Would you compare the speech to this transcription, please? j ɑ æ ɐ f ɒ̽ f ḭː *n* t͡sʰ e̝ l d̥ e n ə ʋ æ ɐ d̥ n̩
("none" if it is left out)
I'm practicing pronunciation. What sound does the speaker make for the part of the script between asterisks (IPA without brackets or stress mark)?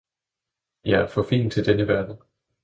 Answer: n